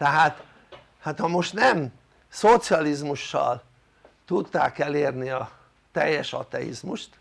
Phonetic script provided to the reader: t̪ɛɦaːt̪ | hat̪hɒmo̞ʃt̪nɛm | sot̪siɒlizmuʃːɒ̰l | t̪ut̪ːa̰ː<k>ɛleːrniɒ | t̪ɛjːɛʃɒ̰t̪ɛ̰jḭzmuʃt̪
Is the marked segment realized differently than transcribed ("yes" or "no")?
no